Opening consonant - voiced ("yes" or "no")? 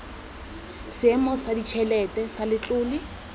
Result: no